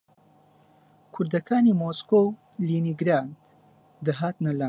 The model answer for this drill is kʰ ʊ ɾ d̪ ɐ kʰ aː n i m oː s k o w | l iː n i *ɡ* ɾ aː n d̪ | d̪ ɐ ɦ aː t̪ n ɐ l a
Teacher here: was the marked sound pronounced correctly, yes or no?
yes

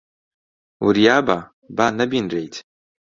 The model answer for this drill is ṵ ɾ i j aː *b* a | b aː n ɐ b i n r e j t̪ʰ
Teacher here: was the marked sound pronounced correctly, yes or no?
yes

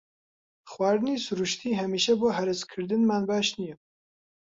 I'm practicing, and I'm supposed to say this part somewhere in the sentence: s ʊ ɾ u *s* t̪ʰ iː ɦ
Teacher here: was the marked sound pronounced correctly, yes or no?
no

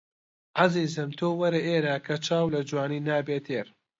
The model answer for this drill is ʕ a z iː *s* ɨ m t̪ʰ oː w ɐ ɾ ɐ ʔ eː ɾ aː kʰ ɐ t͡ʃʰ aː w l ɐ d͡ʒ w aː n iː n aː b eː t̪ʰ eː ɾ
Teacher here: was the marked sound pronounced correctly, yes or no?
no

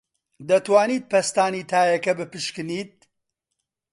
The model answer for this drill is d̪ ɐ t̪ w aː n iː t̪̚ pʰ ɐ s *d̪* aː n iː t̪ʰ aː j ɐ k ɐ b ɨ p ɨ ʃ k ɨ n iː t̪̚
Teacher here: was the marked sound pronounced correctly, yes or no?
no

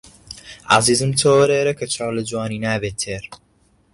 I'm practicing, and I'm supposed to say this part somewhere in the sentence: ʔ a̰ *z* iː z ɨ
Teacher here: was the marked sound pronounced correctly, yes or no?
yes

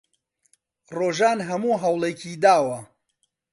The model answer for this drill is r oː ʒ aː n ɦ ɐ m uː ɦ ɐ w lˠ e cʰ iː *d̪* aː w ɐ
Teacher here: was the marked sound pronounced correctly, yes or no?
yes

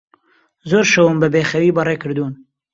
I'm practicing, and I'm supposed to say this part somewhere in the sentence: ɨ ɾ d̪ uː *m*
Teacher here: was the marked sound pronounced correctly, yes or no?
no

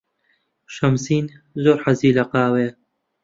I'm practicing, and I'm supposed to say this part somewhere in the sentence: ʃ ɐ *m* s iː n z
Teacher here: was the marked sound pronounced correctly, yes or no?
yes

